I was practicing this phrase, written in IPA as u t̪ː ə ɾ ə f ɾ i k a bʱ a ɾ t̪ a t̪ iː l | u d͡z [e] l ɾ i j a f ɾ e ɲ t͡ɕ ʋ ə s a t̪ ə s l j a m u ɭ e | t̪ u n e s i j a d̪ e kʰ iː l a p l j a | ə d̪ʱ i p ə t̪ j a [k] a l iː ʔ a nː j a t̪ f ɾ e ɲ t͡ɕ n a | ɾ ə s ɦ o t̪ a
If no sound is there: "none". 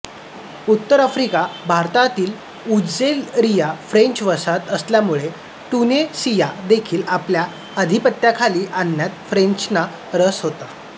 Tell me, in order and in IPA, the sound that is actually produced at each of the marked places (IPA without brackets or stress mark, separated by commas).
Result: e, kʰ